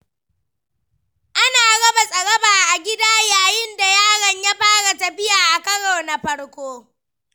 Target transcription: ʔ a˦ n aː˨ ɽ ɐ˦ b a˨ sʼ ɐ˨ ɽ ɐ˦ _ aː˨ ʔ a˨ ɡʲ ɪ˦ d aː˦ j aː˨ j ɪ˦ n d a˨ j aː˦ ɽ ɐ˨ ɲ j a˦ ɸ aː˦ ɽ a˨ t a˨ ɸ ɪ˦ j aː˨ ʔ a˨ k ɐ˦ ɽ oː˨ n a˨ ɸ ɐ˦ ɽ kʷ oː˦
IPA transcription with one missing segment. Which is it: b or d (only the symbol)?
b